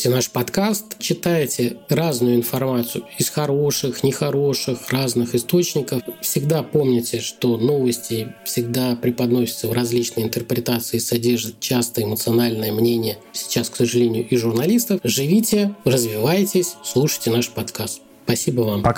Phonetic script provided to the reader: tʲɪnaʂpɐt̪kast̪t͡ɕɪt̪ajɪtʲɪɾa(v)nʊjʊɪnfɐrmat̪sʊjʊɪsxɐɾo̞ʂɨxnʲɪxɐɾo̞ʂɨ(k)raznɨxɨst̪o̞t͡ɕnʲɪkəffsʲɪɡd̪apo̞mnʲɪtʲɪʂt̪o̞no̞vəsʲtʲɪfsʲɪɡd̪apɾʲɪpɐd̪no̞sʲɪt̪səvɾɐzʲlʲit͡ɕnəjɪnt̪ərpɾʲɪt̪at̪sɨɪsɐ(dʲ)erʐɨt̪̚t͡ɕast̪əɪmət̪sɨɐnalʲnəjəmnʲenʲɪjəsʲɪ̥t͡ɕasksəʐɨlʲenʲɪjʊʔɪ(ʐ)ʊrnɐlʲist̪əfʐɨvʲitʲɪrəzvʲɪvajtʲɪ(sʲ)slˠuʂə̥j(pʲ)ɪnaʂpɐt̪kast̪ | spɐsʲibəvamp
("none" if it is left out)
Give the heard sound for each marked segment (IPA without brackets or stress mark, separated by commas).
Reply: z, x, dʲ, ʐ, sʲ, tʲ